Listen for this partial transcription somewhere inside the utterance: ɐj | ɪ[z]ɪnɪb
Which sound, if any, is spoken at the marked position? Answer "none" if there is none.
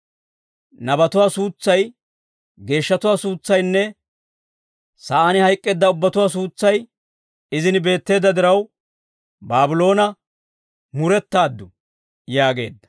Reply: z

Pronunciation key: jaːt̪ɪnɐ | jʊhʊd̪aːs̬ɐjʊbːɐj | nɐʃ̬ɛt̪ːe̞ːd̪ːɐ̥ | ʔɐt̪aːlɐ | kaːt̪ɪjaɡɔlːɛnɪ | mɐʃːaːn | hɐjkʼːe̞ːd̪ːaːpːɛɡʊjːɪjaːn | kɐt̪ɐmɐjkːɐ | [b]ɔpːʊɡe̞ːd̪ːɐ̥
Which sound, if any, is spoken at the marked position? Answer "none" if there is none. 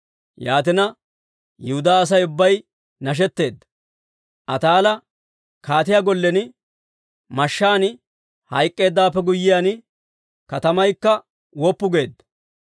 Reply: w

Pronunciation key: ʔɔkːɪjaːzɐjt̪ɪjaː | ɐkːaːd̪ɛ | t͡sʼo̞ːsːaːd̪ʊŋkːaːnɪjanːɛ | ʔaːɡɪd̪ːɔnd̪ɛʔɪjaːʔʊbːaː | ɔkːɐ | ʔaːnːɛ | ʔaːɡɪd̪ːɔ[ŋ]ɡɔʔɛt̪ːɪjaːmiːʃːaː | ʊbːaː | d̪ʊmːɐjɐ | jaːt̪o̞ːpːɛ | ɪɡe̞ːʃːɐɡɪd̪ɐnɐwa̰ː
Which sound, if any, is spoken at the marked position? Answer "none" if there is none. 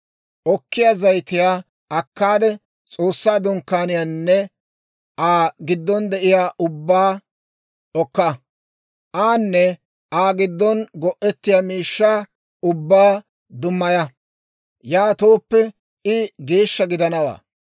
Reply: n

